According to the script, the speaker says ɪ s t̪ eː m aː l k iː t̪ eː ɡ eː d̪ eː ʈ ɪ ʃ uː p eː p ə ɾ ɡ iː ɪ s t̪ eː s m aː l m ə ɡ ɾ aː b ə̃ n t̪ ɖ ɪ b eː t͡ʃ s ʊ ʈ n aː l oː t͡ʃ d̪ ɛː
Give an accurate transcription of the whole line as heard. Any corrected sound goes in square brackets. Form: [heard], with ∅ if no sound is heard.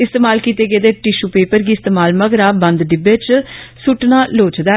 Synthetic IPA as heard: ɪ s t̪ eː m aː l k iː t̪ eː ɡ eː d̪ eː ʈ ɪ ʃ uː p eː p ə ɾ ɡ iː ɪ s t̪ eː [∅] m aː l m ə ɡ ɾ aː b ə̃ n [d̪] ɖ ɪ b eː t͡ʃ s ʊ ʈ n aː l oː t͡ʃ d̪ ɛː

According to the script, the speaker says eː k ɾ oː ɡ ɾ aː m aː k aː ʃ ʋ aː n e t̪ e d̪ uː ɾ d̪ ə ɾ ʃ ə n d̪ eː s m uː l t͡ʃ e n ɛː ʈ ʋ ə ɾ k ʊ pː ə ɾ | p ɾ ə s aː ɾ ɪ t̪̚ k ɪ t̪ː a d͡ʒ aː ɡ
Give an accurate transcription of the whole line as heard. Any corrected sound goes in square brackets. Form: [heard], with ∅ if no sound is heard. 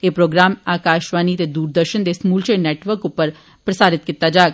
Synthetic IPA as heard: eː [p] ɾ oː ɡ ɾ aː m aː k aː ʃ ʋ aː n [i] t̪ e d̪ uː ɾ d̪ ə ɾ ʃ ə n d̪ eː s m uː l t͡ʃ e n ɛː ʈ ʋ ə ɾ k ʊ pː ə ɾ | p ɾ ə s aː ɾ ɪ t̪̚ k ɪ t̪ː a d͡ʒ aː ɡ

